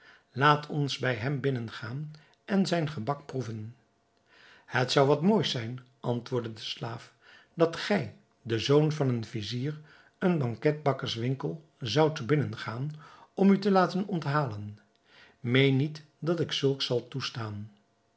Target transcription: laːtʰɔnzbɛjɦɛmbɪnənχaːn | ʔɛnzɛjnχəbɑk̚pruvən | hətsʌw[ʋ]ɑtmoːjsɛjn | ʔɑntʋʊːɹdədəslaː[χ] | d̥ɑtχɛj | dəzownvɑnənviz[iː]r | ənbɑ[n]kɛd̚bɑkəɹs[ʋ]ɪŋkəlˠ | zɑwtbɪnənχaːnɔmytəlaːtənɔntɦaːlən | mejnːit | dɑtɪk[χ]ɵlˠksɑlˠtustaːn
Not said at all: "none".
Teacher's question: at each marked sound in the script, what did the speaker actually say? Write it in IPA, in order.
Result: ʋ, f, iː, ŋ, ʋ, s

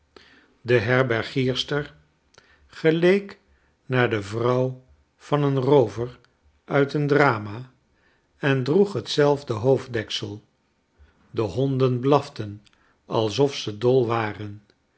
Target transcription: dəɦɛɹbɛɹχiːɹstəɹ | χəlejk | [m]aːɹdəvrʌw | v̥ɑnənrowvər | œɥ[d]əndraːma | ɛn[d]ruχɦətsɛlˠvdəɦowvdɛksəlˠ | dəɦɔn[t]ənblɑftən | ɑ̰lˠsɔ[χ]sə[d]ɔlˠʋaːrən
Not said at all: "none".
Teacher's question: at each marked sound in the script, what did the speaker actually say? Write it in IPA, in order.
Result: n, t, d, d, f, d

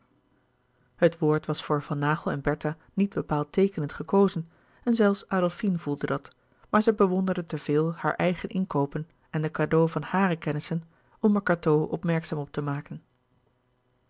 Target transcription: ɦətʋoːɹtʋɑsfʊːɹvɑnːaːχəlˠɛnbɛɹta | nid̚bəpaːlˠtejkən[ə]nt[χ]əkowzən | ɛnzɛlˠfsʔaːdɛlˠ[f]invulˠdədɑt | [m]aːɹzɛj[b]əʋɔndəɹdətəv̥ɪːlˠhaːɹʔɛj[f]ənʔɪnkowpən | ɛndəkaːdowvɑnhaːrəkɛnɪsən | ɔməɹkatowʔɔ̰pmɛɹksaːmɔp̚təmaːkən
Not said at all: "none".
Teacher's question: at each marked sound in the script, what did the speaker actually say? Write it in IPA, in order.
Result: ə, χ, f, m, b, χ

